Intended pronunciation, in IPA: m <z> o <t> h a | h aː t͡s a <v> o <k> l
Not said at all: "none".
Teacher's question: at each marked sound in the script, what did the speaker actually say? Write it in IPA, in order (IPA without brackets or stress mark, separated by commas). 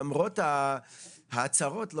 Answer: ʁ, t, ʁ, t